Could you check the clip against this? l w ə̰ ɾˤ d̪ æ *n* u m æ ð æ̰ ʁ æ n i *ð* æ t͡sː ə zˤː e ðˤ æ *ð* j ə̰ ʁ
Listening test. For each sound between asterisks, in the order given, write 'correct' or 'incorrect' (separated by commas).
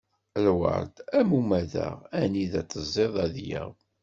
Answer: incorrect, correct, correct